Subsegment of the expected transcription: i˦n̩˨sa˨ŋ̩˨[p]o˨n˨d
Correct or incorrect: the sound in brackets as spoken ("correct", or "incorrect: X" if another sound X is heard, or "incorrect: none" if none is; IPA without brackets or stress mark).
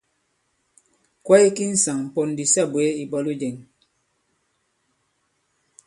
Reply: correct